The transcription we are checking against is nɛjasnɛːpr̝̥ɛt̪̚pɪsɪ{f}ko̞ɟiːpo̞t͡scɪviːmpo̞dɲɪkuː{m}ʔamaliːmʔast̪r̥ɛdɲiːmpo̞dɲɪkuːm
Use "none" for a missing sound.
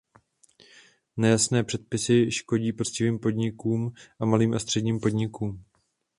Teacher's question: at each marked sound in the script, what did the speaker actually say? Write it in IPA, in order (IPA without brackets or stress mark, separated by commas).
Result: ʃ, m